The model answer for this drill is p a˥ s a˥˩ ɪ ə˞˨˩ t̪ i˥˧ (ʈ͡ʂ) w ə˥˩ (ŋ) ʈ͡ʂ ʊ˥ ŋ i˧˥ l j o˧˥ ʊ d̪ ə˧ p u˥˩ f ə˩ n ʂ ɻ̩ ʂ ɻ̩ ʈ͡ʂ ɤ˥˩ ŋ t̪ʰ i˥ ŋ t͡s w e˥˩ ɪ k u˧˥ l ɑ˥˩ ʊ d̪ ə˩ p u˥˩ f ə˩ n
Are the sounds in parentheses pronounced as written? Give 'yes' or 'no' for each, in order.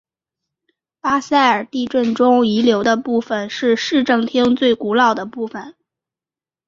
yes, no

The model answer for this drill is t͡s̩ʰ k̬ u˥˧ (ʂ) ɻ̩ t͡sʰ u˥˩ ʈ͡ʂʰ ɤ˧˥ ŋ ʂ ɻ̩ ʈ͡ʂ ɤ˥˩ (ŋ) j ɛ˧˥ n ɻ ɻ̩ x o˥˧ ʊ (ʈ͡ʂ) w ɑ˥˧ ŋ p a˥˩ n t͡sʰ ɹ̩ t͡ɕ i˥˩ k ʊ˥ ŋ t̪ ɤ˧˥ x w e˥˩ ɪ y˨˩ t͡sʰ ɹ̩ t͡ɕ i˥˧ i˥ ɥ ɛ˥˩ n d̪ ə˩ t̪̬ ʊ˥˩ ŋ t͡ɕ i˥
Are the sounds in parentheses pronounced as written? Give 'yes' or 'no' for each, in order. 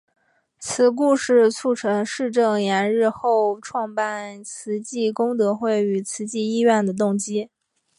yes, yes, no

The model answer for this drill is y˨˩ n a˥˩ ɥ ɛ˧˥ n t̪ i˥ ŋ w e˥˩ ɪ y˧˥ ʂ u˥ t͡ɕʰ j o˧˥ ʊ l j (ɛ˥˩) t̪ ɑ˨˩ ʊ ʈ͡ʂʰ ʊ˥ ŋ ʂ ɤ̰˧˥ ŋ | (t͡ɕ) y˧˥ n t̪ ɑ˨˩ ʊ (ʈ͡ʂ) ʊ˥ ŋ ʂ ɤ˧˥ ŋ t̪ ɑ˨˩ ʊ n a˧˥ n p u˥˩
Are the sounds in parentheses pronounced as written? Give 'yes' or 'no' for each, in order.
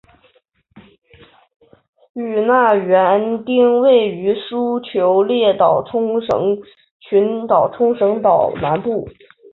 yes, no, no

